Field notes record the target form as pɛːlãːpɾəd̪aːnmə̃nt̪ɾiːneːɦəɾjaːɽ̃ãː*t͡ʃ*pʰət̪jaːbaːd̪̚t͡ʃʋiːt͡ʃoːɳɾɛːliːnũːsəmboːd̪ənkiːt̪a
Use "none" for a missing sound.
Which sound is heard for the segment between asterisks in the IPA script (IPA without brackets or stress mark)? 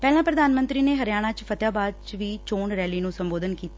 t͡ʃ